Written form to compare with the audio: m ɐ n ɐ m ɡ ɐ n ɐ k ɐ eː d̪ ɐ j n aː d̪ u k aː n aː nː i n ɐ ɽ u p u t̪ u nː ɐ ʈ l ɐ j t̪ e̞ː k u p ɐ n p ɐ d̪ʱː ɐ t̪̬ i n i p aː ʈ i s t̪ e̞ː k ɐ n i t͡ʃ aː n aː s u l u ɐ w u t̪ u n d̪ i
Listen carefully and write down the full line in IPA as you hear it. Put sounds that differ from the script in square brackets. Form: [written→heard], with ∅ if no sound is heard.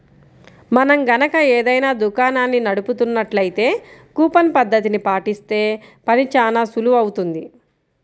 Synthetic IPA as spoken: m ɐ n ɐ m ɡ ɐ n ɐ k ɐ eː d̪ ɐ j n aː d̪ u k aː n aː nː i n ɐ ɽ u p u t̪ u nː ɐ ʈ l ɐ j t̪ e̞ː k [u→uː] p ɐ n p ɐ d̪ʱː ɐ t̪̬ i n i p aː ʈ i s t̪ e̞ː [k→p] ɐ n i t͡ʃ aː n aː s u l u ɐ w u t̪ u n d̪ i